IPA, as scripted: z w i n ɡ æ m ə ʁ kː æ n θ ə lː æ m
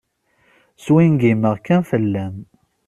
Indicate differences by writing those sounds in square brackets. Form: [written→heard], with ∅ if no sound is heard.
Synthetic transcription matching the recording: [z→s] w i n ɡ [æ→i] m ə ʁ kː æ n [θ→f] ə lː æ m